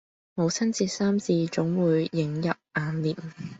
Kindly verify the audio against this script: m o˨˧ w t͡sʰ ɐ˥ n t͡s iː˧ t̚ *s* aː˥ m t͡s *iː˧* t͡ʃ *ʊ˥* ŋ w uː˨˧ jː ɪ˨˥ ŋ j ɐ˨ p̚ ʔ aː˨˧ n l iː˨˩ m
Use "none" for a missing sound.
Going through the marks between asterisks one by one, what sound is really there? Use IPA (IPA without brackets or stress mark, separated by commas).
s, iː˧, ʊ˨˥